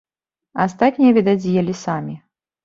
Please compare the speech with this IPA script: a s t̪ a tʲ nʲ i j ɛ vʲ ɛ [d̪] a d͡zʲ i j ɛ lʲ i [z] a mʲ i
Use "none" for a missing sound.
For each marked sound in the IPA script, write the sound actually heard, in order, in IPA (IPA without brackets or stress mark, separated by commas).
d̪, s